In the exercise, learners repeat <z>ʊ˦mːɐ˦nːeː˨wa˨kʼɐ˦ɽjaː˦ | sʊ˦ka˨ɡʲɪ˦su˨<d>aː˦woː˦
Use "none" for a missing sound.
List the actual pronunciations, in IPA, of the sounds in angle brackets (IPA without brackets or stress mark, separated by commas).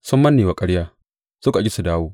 s, d